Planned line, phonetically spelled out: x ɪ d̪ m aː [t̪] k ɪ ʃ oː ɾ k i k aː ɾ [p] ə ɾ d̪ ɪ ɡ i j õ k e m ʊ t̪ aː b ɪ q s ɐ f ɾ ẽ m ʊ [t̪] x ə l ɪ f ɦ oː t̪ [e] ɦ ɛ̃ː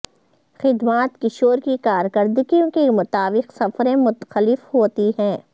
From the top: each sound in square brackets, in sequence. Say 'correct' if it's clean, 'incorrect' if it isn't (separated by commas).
correct, incorrect, correct, incorrect